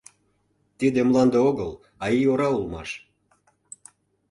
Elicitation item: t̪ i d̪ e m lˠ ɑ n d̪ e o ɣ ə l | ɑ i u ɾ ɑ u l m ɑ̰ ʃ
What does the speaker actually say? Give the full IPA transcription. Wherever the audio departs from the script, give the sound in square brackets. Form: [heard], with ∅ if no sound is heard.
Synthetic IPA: t̪ i d̪ e m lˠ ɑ n d̪ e o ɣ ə l | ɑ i [o] ɾ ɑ u l m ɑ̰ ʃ